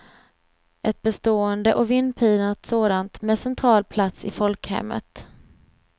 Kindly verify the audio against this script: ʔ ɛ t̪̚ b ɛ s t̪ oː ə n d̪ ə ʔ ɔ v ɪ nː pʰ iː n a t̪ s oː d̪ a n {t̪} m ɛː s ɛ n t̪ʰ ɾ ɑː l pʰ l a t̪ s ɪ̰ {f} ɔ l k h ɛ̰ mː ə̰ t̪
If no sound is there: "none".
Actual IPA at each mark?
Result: t̪, f

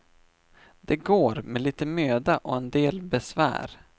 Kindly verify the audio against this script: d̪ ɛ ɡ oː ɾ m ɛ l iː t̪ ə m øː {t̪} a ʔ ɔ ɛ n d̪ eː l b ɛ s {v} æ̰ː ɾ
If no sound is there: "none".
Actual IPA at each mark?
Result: d̪, v

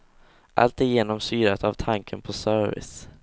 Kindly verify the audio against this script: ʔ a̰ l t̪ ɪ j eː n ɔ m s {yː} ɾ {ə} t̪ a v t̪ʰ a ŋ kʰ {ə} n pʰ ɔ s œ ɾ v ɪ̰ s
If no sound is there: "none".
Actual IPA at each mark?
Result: yː, a, ə

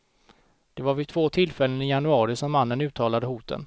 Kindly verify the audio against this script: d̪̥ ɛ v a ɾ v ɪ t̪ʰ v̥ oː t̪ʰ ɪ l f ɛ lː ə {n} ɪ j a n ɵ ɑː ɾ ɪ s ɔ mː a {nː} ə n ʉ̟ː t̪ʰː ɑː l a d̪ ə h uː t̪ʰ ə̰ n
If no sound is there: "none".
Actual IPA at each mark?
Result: n, nː

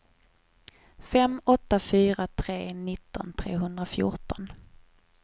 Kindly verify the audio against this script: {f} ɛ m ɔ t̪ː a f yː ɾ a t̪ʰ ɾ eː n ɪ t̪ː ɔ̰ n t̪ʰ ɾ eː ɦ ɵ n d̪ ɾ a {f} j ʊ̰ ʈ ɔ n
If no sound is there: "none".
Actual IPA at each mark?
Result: f, f

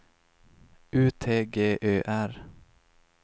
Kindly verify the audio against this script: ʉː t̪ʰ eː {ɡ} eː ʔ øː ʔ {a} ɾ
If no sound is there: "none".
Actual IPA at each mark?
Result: ɡ, æ

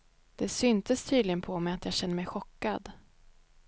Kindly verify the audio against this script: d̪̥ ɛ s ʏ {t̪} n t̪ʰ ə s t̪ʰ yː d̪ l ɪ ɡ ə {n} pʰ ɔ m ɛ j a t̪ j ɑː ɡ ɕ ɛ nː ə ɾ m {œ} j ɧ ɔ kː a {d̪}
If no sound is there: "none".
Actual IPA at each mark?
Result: none, n, ɛ, d̪

